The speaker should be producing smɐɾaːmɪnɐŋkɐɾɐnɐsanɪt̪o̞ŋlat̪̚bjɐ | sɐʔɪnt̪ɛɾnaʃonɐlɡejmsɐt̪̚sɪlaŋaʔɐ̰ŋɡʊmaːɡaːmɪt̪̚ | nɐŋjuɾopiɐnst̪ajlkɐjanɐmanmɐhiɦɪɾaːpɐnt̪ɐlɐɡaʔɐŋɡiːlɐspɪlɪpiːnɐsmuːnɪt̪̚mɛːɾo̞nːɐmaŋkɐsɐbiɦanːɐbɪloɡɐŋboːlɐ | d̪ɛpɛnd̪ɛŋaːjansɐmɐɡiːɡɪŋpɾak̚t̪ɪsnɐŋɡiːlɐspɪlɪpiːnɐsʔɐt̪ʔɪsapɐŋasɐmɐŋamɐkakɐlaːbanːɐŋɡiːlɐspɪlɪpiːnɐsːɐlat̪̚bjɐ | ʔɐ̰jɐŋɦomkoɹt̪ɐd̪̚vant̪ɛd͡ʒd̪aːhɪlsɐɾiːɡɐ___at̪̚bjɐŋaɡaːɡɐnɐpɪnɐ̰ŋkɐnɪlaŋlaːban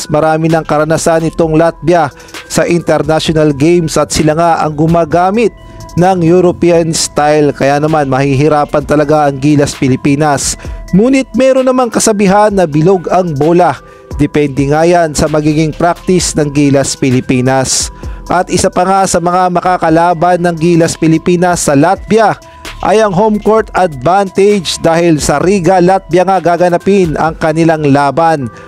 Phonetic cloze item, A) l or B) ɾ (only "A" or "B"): A